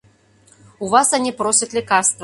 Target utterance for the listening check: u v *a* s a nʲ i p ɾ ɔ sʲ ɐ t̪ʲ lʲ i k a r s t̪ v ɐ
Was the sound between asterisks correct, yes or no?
yes